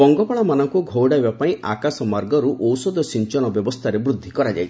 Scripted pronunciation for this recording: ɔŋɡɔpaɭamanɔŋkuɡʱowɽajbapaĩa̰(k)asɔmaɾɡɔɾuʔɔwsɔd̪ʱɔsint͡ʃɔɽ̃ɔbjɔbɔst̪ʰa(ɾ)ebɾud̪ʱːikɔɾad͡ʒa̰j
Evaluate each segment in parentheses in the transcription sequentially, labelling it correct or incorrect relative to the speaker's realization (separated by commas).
correct, correct